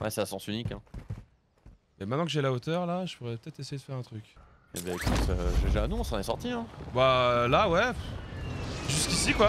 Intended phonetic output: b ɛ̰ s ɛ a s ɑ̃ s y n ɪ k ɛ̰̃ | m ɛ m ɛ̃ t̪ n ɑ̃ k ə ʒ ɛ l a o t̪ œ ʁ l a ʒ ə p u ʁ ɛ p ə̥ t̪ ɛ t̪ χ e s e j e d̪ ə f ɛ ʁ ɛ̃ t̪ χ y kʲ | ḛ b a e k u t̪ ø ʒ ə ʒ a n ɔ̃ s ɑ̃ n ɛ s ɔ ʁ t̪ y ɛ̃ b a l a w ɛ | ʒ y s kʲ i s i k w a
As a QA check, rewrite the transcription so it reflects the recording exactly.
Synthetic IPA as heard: w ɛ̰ s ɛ a s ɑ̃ s y n i k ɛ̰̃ | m ɛ m ɛ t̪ n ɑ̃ k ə ʒ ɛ l a o t̪ œ ʁ l a ʒ ə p u ʁ ɛ p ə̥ t̪ ɛ t̪ χ e s e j e d̪ ə f ɛ ʁ ɛ̃ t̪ χ y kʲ | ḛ b a e k u t̪ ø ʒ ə ʒ a n ɔ̃ s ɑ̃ n ɛ s ɔ ʁ t̪ i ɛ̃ b a l a w ɛ | ʒ y s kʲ i s i k w a